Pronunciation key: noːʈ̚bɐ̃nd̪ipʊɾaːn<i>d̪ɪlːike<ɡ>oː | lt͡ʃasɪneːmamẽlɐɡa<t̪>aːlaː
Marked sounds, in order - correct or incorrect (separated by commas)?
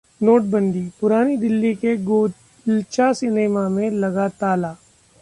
correct, correct, correct